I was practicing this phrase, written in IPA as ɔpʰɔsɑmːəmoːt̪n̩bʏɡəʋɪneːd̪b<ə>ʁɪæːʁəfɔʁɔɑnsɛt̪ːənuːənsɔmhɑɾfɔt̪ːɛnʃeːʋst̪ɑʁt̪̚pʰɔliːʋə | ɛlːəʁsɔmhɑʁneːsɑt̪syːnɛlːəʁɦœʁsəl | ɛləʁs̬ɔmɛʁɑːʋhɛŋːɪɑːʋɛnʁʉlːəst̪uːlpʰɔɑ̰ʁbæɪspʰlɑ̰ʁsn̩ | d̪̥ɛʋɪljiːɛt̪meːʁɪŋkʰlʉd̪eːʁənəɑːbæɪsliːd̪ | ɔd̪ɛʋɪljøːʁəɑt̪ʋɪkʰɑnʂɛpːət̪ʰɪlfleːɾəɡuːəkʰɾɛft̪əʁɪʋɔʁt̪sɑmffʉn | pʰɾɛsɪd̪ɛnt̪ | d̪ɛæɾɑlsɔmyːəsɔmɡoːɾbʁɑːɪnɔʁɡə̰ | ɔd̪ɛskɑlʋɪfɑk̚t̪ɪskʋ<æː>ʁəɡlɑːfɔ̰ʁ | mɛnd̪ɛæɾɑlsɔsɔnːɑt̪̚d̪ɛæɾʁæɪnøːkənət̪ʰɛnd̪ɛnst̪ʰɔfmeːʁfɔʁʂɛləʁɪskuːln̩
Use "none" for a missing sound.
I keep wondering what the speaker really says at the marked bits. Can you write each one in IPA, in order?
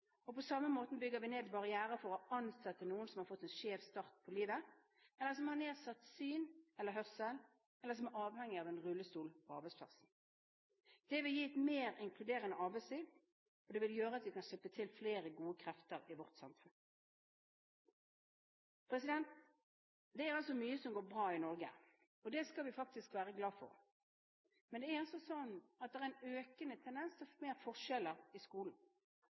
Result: ɑ, æː

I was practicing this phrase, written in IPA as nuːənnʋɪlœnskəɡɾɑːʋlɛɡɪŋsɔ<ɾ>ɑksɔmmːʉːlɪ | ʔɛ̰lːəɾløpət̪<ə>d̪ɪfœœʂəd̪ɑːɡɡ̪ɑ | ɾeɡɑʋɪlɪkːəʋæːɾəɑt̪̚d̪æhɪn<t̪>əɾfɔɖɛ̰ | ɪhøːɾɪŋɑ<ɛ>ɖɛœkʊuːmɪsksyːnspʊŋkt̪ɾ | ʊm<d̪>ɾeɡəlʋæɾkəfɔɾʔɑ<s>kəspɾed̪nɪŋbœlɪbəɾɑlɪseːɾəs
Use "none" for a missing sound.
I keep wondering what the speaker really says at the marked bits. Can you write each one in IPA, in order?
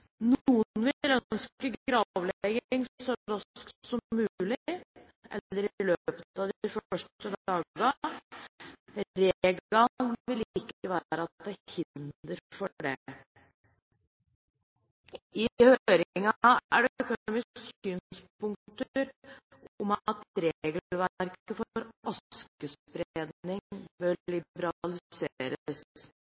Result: ɾ, ɑ, d̪, æ, t̪, s

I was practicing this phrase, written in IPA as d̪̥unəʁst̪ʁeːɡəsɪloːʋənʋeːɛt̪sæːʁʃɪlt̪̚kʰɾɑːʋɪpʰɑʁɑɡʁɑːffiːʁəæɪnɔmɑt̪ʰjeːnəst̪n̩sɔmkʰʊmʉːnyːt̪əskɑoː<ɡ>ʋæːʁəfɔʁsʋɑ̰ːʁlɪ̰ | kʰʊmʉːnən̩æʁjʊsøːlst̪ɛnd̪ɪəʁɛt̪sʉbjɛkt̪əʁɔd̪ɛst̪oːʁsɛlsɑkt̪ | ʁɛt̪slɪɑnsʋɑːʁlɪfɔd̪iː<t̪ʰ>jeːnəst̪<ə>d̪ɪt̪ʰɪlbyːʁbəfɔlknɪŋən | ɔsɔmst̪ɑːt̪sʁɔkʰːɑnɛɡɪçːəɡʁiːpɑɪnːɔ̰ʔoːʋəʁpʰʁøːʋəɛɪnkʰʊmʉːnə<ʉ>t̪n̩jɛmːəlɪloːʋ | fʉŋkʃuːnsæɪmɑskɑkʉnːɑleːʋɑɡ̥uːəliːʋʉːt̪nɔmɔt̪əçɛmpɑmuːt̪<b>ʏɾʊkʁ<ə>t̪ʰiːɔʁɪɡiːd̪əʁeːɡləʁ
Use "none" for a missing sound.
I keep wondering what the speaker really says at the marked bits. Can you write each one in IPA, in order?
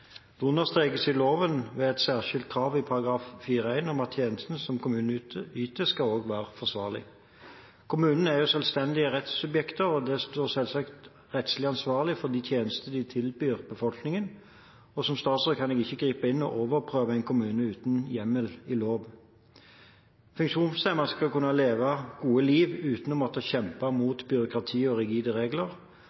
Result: ɡ, t̪ʰ, ə, ʉː, b, ɑ

